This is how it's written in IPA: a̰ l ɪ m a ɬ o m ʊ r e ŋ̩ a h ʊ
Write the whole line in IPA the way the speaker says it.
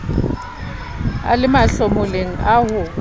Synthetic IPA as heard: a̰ l ɪ m a ɬ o m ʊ l e ŋ̩ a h ʊ